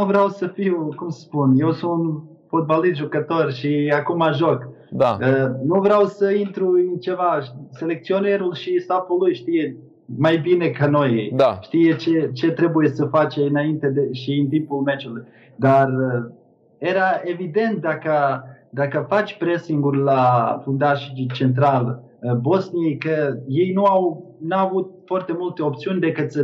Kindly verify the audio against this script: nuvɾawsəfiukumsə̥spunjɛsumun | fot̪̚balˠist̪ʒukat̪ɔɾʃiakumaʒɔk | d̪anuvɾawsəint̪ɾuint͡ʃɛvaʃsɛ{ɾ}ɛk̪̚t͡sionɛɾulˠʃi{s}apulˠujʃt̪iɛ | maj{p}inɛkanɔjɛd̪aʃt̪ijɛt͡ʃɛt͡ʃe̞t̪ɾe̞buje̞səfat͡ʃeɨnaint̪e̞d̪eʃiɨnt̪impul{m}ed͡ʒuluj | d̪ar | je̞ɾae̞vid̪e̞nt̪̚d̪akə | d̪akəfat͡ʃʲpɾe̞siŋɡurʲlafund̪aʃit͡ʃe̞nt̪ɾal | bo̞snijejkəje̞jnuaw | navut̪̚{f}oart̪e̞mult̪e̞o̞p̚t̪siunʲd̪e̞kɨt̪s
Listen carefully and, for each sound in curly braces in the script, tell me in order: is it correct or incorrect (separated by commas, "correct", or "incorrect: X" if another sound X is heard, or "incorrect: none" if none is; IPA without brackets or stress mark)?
incorrect: l, correct, incorrect: b, correct, correct